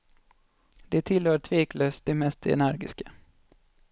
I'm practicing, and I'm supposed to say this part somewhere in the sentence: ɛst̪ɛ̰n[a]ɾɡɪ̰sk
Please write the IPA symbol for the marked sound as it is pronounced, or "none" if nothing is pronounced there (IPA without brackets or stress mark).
æ